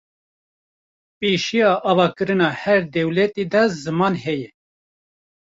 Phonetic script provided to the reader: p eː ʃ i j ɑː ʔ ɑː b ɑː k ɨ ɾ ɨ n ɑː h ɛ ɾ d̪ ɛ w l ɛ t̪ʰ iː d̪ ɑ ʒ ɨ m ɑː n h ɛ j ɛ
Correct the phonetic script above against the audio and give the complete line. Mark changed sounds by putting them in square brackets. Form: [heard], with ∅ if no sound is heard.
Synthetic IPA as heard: p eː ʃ i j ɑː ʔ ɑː [v] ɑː k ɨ ɾ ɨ n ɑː h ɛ ɾ d̪ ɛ w l ɛ [t̪] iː d̪ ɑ [z] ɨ m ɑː n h ɛ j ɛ